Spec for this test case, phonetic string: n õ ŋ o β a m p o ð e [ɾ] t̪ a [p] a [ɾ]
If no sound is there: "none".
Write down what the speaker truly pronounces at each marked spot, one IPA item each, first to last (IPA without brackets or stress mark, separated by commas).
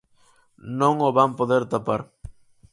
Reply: ɾ, p, ɾ